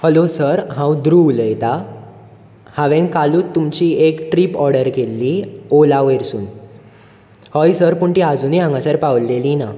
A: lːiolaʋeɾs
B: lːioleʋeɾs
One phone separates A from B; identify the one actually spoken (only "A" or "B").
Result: A